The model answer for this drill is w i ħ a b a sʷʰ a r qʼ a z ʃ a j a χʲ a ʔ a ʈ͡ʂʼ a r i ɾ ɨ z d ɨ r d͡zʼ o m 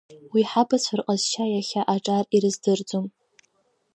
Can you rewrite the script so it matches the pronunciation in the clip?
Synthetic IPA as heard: w i ħ a b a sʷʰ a r qʼ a z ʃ a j a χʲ a ʔ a ʈ͡ʂʼ a r i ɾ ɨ z d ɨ r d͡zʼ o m